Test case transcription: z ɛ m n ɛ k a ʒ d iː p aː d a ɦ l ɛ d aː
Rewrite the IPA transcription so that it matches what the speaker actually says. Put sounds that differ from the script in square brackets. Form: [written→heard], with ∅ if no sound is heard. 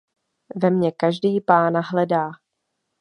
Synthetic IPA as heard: [z→v] ɛ m [n→ɲ] ɛ k a ʒ d iː p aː [d→n] a ɦ l ɛ d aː